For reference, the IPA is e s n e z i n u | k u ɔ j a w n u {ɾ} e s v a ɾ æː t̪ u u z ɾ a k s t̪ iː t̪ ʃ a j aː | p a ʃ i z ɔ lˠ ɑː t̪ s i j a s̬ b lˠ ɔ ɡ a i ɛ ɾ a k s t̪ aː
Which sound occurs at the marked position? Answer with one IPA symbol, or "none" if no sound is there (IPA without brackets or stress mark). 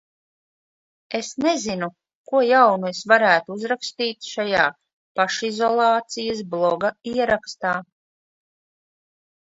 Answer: none